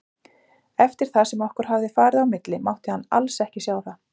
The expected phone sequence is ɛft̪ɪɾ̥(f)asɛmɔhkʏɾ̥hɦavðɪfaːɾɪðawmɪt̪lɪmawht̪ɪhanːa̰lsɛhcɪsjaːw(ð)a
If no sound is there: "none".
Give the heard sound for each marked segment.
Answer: θ, θ

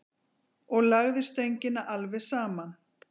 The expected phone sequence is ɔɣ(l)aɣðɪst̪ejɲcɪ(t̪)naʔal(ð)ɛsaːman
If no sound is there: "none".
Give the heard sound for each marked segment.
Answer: l, none, v

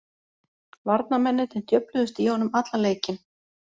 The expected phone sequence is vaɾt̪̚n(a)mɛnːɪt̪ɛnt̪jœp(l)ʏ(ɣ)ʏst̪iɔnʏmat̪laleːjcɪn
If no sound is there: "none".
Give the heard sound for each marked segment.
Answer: a, l, ð

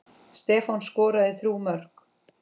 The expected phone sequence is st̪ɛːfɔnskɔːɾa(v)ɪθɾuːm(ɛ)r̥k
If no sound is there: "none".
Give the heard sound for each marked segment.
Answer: ð, œ

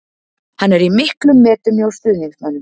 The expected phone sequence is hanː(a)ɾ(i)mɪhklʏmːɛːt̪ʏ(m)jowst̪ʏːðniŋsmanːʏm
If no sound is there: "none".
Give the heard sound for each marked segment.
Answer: ɛ, i, m

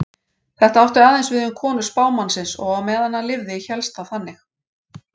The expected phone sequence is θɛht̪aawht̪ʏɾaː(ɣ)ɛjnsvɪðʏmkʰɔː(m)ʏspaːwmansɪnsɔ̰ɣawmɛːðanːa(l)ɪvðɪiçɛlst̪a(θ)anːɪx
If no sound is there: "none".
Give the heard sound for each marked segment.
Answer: ð, n, l, θ

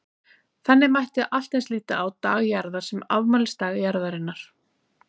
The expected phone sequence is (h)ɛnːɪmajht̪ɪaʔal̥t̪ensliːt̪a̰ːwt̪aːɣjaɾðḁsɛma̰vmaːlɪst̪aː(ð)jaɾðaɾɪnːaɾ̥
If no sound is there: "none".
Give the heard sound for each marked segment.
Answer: θ, ɣ

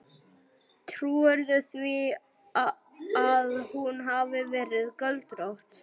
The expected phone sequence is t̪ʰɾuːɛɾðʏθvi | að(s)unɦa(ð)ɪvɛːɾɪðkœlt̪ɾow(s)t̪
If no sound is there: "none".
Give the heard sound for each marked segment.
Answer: h, v, h

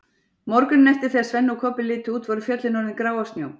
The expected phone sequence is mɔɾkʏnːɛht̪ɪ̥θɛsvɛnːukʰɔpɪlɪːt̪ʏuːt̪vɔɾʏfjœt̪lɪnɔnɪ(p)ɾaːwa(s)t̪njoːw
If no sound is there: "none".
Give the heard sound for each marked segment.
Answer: k, s

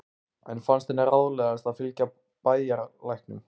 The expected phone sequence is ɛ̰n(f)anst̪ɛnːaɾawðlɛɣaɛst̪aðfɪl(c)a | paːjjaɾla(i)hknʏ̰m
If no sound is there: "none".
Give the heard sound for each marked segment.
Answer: f, c, j

